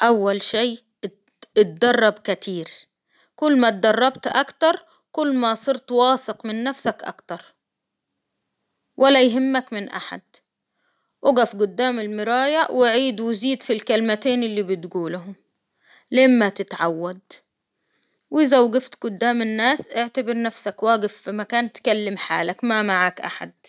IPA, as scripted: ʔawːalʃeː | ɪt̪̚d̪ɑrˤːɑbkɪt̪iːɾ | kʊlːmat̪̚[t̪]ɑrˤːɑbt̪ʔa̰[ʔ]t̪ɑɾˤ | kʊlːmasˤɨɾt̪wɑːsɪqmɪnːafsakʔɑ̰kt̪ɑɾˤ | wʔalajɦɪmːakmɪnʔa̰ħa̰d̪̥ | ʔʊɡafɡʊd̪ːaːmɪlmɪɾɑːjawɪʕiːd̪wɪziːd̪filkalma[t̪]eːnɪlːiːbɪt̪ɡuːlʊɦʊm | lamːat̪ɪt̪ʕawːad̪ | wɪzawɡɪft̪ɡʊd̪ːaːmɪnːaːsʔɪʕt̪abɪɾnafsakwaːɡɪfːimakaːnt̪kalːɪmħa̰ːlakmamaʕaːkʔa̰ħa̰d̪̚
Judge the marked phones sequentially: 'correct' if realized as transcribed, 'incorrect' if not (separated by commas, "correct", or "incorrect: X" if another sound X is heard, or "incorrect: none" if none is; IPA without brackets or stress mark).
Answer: incorrect: d̪, incorrect: k, correct